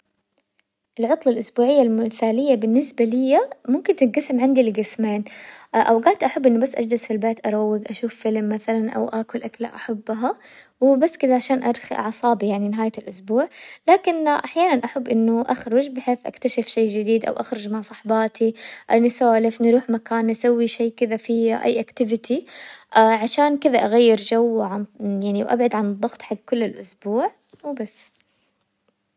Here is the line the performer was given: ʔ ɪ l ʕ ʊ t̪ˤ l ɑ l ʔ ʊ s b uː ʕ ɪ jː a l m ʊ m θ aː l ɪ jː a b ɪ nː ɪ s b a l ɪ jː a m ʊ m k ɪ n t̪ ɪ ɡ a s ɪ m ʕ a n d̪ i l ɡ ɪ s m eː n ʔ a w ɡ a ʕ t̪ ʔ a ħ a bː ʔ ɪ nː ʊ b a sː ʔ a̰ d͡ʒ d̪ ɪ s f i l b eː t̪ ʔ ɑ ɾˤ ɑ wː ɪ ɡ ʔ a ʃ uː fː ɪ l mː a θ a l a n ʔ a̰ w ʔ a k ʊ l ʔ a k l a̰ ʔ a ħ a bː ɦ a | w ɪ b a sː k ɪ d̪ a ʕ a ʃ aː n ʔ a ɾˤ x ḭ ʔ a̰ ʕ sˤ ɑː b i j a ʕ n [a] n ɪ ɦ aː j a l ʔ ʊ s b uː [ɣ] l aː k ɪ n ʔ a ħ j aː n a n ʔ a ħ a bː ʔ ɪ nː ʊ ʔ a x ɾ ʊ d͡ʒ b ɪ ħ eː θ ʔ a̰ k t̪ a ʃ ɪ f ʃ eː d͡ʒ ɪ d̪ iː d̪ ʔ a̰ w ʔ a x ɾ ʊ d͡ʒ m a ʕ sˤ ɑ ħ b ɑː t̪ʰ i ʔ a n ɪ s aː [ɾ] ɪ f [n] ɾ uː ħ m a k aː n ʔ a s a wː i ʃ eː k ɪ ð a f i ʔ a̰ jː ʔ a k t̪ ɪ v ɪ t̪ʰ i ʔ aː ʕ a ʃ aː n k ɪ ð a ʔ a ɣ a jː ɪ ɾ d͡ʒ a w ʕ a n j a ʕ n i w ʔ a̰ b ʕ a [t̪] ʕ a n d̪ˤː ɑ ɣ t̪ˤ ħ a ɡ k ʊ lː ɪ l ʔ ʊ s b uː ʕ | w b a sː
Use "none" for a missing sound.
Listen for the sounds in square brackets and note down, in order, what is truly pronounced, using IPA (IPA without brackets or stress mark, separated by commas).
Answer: i, ʕ, l, n, d̪